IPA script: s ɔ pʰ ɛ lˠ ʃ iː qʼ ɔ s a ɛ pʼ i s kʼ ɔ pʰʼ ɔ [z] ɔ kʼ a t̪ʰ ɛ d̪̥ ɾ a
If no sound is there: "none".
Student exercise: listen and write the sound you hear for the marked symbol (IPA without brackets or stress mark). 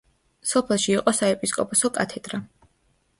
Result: s